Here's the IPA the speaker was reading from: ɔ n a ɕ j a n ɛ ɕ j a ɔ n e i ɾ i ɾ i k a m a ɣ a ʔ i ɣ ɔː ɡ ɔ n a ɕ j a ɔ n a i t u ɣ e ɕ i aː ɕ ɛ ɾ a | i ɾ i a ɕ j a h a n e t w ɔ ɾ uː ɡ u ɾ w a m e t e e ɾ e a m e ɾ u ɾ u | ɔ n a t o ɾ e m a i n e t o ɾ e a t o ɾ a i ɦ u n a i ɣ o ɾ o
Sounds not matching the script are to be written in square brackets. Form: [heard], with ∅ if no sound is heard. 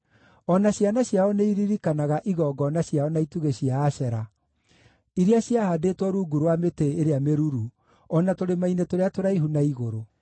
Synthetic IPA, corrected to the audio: ɔ n a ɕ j a n [a] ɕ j a ɔ n e i ɾ i ɾ i k a [n] a ɣ a ʔ i ɣ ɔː ɡ ɔ n a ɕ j a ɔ n a i t u ɣ e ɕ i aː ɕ ɛ ɾ a | i ɾ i a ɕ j a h a [d] e t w ɔ ɾ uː ɡ u ɾ w a m e t e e ɾ e a m e ɾ u ɾ u | ɔ n a t o ɾ e m a i n e t o ɾ e a t o ɾ a i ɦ u n a i ɣ o ɾ o